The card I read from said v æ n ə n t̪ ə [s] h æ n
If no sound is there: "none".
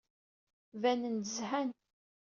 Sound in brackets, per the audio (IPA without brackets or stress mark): z